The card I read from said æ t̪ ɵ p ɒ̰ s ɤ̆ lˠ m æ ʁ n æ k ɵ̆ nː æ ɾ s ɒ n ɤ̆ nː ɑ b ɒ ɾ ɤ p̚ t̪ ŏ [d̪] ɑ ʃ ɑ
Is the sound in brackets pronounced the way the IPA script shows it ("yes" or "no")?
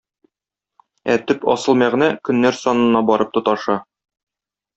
no